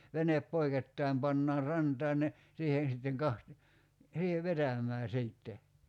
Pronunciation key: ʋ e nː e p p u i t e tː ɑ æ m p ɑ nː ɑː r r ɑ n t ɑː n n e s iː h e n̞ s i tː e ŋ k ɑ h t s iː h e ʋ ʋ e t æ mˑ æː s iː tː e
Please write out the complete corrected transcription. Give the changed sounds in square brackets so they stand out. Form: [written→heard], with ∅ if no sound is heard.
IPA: ʋ e [nː→n] e p p [u→o] i [t→k] e tː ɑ [æ→i] m p ɑ nː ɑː r r ɑ n t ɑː n n e s iː h e n̞ s i tː e ŋ k ɑ h t s iː h e ʋ ʋ e t æ mˑ æː s iː tː e